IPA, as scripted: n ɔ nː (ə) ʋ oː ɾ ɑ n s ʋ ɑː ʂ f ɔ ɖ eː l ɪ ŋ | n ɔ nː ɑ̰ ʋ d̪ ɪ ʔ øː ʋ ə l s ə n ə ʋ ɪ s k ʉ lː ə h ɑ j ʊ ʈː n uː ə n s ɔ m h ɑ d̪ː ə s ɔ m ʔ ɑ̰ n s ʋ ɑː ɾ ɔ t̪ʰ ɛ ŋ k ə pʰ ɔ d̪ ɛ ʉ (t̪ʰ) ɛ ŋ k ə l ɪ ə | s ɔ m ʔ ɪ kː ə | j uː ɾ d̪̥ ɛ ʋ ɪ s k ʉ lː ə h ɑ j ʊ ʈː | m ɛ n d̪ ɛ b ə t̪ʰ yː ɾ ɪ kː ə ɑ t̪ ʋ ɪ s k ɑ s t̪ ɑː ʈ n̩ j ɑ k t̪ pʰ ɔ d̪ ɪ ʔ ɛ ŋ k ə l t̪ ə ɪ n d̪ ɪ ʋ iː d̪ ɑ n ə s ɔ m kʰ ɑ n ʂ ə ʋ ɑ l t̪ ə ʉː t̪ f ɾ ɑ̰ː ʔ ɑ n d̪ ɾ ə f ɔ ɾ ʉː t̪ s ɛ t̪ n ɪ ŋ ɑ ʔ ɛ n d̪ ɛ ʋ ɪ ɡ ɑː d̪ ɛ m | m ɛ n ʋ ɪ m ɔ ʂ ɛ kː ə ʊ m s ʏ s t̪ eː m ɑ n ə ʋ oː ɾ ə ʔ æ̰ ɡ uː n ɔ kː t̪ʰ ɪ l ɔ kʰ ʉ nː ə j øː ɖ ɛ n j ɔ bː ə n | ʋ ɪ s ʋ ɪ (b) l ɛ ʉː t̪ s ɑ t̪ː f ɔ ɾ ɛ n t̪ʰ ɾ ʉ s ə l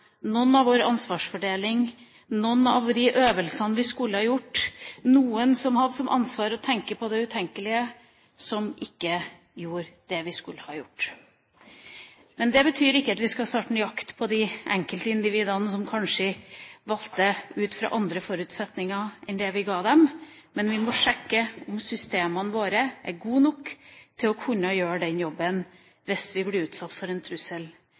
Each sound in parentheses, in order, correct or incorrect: incorrect, correct, correct

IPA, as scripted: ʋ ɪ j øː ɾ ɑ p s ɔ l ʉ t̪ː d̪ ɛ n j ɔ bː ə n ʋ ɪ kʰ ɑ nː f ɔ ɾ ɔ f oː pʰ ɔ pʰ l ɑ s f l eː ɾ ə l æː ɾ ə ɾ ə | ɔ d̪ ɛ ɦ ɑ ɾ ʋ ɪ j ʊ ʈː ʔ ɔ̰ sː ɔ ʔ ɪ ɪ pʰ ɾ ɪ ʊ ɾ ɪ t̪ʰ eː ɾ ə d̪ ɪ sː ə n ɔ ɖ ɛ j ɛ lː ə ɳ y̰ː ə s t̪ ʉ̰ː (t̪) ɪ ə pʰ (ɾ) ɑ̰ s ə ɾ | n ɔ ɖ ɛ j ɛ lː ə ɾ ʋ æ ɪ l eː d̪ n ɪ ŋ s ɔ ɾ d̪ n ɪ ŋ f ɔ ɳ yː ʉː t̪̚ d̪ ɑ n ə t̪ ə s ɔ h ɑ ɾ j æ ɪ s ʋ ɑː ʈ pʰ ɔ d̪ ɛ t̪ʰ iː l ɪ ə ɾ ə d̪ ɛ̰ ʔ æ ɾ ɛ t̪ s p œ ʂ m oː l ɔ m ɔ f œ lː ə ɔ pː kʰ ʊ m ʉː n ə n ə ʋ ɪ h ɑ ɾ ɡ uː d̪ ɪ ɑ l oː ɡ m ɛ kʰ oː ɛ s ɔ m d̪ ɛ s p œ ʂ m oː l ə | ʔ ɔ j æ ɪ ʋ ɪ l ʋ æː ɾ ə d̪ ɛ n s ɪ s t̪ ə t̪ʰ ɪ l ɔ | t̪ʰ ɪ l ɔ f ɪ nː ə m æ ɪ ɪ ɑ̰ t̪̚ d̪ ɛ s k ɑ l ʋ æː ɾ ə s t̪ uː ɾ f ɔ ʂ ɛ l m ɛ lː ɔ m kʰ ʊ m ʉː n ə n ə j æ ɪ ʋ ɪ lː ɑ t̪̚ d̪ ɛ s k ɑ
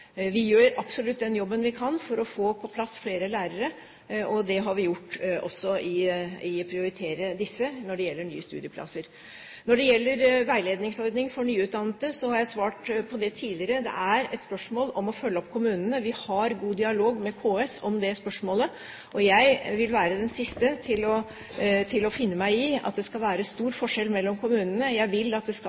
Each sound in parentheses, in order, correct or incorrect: incorrect, incorrect

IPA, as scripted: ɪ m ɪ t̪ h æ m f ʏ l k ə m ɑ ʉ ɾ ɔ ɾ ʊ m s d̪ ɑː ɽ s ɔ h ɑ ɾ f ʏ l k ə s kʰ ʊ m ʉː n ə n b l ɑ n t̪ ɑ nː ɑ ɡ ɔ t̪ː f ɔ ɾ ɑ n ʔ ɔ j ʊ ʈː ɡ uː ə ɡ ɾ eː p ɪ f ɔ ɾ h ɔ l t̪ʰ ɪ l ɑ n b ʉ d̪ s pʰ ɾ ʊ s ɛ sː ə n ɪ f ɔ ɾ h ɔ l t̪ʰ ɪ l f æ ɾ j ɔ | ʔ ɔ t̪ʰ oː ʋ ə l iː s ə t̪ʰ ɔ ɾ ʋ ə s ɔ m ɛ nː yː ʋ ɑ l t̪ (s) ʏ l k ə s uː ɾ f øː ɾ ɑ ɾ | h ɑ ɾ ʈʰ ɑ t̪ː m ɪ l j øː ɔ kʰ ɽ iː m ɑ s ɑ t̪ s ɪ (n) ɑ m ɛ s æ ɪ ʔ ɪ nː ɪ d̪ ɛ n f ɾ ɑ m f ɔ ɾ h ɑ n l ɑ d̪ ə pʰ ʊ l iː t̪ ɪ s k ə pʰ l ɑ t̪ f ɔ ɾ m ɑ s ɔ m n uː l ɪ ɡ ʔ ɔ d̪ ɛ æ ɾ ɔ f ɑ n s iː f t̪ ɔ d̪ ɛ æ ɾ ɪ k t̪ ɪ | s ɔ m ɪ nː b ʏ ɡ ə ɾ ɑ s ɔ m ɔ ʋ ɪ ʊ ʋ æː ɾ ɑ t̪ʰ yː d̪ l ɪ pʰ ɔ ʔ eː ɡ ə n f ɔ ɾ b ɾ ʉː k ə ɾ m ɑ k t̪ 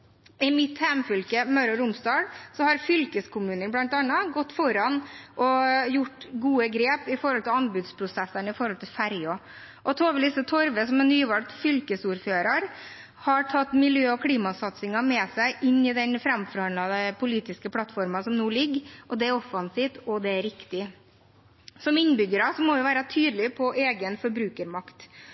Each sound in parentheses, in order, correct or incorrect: incorrect, incorrect

